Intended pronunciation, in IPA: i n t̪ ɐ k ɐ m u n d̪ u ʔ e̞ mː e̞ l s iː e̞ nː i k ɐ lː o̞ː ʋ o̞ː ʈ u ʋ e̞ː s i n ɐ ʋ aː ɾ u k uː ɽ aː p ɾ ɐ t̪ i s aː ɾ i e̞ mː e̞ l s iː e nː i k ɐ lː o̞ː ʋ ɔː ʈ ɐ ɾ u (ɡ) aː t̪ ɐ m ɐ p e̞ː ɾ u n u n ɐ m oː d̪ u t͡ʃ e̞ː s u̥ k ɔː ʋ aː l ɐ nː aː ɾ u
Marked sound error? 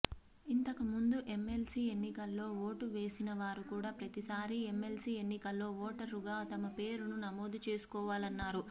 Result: no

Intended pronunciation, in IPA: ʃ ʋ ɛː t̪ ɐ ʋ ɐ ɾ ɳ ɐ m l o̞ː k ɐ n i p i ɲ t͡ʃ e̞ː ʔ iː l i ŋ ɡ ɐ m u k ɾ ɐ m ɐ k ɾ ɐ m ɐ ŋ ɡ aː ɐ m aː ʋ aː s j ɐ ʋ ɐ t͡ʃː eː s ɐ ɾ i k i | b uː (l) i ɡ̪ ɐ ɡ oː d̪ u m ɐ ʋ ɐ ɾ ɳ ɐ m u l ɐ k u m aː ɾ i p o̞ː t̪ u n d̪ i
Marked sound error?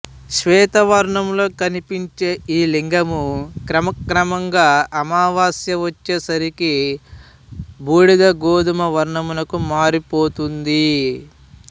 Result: yes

